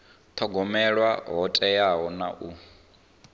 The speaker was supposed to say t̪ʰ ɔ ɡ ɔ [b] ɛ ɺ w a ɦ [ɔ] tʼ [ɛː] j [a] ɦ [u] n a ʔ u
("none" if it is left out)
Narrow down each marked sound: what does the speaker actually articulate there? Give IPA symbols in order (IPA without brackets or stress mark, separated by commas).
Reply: m, ɔ, ɛ, a, ɔ